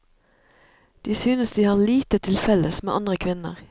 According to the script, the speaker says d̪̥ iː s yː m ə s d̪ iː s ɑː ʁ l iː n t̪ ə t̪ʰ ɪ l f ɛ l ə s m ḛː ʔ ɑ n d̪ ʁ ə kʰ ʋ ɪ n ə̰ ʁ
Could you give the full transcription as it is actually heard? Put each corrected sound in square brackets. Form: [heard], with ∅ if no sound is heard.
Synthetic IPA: d̪̥ iː s yː [n] ə s d̪ iː [h] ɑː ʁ l iː [∅] t̪ ə t̪ʰ ɪ l f ɛ l ə s m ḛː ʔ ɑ n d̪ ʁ ə kʰ ʋ ɪ n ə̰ ʁ